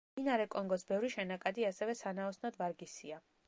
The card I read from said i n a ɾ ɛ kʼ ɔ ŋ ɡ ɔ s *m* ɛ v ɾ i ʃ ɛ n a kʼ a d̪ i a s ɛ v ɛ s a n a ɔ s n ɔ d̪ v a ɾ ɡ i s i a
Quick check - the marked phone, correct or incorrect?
incorrect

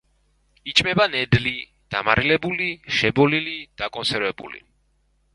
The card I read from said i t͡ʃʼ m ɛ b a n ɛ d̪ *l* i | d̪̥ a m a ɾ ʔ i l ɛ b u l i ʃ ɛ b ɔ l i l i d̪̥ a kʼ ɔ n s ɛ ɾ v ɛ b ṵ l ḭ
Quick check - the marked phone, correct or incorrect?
correct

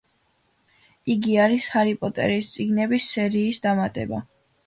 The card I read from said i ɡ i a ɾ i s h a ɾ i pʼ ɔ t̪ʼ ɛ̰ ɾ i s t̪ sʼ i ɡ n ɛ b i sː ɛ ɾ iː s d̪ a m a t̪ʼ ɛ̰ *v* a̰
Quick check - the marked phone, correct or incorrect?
incorrect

